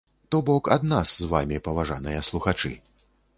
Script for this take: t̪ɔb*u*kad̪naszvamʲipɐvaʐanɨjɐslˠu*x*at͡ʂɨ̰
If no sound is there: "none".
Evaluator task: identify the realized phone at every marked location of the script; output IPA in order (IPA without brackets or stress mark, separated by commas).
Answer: ɔ, x